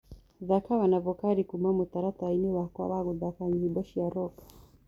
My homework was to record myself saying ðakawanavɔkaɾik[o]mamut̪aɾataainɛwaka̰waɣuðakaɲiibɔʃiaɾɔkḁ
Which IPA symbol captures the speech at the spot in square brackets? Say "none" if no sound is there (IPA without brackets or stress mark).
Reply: u